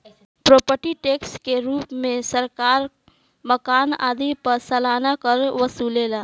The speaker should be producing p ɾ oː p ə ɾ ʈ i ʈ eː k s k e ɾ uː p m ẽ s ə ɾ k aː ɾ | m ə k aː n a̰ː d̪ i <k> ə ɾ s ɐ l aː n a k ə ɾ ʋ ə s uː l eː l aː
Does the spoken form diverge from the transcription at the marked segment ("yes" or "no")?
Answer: yes